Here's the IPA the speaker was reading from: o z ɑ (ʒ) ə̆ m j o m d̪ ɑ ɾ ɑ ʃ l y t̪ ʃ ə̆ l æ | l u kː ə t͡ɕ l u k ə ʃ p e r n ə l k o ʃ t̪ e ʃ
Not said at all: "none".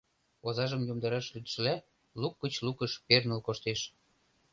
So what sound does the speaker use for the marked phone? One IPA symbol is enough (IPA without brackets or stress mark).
ʒ